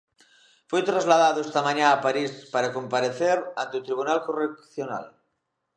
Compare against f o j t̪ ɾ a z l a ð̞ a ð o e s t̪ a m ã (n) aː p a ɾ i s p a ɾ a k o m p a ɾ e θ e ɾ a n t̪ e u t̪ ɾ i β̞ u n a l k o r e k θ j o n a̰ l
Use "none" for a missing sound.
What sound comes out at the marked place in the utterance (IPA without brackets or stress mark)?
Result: ɲ